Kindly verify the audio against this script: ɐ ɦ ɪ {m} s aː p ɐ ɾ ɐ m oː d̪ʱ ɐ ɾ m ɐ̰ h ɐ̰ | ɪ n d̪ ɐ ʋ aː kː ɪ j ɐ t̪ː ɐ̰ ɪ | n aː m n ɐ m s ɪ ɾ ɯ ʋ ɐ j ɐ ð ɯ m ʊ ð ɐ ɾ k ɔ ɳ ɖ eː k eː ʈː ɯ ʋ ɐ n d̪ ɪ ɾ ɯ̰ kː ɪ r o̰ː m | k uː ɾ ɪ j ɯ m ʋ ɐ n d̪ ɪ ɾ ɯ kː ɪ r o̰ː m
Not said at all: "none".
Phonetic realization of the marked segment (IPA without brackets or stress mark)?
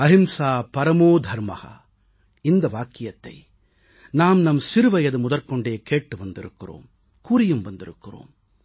m